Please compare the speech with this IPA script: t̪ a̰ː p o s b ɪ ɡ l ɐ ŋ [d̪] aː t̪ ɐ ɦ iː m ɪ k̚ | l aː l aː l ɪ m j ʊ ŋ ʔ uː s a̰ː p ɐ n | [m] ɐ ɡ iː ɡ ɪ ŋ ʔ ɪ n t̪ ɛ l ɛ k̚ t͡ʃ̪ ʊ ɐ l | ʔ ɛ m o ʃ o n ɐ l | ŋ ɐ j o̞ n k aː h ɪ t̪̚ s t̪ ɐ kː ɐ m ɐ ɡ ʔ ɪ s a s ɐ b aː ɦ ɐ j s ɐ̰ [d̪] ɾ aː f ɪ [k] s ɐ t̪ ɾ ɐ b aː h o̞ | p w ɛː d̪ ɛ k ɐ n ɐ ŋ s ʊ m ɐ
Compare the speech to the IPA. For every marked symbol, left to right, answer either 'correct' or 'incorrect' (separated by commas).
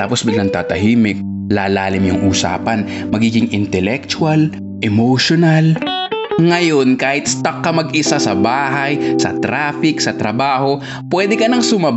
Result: incorrect, correct, incorrect, correct